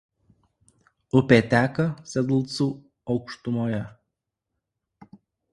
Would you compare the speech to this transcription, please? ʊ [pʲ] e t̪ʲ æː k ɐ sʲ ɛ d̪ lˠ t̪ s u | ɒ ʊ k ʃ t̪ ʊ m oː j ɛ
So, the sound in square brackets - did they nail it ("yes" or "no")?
yes